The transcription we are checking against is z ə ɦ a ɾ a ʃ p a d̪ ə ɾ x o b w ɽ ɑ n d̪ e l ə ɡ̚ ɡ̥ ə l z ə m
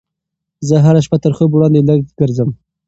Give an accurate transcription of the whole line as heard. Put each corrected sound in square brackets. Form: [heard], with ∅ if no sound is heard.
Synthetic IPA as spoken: z ə ɦ a ɾ a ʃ p a [t̪] ə ɾ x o b w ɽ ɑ n d̪ e l ə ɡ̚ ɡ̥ ə [ɾ] z ə m